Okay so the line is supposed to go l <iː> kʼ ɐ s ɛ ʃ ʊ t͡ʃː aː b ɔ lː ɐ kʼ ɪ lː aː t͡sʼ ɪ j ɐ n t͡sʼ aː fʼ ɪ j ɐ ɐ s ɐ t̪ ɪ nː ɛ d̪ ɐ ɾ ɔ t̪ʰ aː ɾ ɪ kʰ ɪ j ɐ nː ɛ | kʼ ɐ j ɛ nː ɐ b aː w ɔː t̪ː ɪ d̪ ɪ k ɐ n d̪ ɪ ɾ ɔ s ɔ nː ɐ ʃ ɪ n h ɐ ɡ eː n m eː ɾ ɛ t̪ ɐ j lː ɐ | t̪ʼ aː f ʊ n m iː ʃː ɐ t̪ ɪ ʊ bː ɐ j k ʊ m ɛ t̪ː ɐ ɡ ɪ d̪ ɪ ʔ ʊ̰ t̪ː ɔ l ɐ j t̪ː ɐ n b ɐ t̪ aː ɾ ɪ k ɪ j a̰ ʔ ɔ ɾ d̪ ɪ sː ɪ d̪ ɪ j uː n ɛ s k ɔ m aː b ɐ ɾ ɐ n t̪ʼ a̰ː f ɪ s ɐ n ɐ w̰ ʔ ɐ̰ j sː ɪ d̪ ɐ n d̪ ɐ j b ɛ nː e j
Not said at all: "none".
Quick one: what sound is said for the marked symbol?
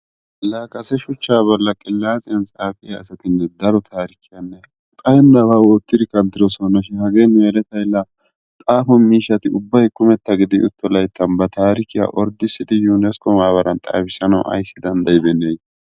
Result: aː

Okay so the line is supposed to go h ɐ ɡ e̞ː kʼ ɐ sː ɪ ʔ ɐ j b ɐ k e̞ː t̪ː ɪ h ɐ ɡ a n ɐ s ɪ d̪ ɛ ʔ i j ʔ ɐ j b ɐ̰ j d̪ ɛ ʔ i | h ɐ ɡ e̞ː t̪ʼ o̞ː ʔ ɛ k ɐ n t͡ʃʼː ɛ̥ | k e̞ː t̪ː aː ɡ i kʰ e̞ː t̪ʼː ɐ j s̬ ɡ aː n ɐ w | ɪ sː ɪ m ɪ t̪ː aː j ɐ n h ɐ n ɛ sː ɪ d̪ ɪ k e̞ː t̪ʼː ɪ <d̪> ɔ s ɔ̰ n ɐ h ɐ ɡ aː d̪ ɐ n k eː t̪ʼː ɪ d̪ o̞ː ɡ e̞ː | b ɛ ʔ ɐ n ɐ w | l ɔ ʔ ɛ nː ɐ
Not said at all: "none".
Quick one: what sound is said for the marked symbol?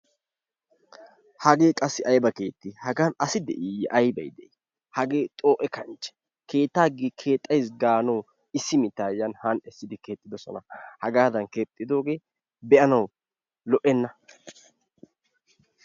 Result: d̪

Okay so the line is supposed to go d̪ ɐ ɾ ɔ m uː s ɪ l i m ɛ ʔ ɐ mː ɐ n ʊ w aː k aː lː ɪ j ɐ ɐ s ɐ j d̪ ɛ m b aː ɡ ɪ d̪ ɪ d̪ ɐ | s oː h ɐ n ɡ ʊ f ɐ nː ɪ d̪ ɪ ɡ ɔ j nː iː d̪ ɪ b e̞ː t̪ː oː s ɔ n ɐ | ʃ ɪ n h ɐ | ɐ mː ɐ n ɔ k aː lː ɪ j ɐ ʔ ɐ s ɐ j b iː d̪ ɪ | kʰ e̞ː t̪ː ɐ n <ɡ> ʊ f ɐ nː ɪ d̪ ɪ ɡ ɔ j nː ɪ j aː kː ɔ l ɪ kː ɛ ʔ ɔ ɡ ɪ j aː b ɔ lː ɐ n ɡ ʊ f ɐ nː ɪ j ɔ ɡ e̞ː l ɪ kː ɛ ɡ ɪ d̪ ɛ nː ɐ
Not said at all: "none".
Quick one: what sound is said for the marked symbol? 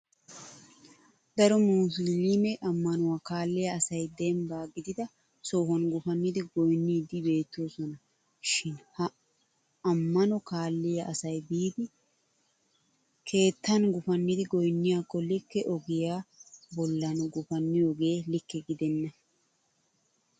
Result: ɡ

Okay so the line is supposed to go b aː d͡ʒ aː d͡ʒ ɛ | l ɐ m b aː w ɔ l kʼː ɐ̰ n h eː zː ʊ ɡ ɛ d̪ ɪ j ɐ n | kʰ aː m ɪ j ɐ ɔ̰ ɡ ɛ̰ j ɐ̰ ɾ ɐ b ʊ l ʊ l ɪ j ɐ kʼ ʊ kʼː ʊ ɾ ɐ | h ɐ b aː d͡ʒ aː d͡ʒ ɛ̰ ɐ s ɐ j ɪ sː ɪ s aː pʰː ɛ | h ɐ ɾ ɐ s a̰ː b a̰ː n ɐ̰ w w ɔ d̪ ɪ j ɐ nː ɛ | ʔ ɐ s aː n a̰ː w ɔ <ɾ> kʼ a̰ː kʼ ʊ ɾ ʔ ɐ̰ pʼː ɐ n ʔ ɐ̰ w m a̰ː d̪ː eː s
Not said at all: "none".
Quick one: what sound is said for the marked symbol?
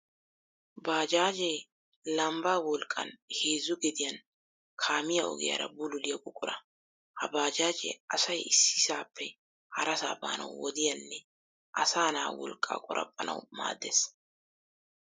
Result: l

